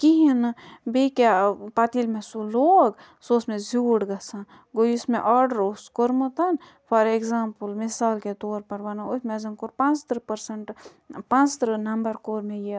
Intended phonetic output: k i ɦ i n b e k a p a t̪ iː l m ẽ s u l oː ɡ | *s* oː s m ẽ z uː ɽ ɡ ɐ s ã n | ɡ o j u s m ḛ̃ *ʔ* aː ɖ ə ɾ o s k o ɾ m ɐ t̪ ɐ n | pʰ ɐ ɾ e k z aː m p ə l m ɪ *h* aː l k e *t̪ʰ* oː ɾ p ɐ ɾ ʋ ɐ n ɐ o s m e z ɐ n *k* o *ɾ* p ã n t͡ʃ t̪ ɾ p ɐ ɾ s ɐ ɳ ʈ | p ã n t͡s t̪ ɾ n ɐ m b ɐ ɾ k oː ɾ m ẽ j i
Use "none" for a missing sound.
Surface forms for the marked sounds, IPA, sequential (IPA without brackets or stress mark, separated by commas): s, ʔ, s, t̪, k, ɾ